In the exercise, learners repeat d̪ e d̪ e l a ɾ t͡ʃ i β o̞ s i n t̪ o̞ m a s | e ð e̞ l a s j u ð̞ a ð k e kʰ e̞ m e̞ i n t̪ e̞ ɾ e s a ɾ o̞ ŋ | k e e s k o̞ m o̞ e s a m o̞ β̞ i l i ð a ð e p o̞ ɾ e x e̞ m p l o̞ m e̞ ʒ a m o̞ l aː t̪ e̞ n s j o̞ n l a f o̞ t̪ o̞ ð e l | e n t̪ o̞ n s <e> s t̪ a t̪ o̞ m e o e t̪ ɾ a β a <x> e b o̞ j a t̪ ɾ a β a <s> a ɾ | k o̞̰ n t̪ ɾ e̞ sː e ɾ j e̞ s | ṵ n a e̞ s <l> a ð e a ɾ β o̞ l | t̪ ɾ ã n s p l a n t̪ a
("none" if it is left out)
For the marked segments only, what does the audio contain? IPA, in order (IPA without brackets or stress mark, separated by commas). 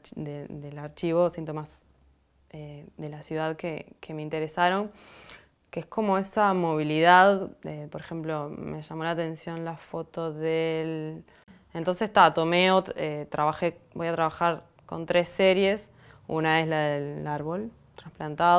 e, x, x, l